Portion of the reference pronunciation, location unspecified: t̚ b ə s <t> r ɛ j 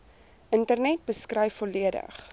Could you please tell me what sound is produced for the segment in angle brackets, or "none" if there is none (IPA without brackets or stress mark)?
k